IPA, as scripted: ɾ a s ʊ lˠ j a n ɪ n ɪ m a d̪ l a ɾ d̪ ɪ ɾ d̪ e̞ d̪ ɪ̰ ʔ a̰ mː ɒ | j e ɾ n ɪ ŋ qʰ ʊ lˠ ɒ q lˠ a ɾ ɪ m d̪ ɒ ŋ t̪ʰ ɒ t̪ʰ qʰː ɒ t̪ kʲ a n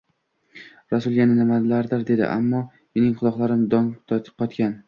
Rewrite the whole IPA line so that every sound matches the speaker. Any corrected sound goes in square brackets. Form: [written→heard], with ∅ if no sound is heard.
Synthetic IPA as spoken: ɾ a s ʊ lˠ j a n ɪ n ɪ m a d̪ l a ɾ d̪ ɪ ɾ d̪ e̞ d̪ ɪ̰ ʔ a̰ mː ɒ | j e [ɾ→∅] n ɪ ŋ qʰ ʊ lˠ ɒ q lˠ a ɾ ɪ m d̪ ɒ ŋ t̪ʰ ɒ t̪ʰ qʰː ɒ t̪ kʲ a n